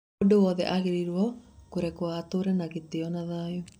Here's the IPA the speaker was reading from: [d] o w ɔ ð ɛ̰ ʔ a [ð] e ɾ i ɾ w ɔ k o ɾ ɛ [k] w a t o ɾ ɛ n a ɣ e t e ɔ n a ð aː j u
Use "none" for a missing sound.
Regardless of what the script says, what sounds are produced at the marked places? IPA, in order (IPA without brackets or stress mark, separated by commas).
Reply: d, ɣ, k